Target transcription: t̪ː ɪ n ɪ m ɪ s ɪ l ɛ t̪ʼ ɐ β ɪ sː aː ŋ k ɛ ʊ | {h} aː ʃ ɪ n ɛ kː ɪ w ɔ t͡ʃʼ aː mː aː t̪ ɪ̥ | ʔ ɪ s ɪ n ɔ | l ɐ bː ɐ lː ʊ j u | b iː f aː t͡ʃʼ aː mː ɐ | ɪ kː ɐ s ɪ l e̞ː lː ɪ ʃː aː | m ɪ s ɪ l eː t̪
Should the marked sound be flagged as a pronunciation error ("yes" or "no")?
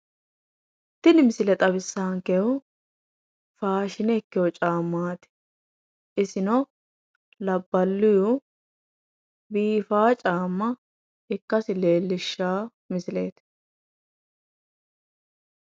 yes